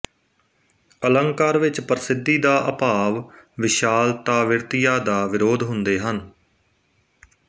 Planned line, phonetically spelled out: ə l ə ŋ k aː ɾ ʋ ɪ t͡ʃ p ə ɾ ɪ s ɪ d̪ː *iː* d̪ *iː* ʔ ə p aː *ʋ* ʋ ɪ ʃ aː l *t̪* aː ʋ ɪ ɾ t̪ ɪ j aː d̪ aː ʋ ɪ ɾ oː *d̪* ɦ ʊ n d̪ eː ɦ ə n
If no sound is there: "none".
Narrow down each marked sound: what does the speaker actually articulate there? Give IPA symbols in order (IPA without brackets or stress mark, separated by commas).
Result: iː, aː, ʋ, t̪, d̪